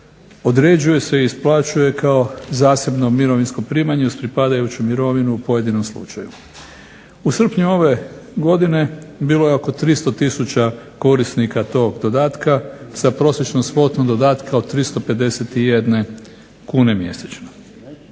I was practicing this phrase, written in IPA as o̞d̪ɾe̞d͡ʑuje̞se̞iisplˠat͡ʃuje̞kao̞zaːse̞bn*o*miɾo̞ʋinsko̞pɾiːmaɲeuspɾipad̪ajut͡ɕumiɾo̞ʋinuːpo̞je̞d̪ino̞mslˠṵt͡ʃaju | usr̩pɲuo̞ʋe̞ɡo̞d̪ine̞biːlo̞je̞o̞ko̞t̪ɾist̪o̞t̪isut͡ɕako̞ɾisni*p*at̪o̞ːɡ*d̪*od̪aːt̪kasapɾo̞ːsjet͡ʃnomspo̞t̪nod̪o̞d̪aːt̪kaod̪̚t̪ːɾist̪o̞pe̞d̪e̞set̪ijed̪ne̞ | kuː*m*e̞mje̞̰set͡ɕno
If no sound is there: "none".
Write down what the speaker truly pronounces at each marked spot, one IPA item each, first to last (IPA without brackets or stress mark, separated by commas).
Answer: o, k, d̪, n